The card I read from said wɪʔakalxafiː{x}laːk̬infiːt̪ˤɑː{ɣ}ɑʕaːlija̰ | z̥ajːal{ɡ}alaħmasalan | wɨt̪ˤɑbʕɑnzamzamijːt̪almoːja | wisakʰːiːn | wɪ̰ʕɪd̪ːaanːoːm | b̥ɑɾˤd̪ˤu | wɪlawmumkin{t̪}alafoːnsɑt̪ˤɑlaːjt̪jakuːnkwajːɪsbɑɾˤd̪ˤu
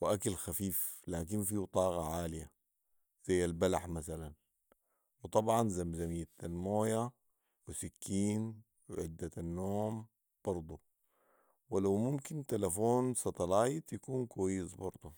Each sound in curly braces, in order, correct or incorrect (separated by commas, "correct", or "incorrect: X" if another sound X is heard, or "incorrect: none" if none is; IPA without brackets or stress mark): incorrect: f, correct, incorrect: b, correct